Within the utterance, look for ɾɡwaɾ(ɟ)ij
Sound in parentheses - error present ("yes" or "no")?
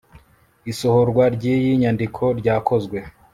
no